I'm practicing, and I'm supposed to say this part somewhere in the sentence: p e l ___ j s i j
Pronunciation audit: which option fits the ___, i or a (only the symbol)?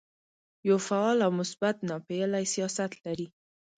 a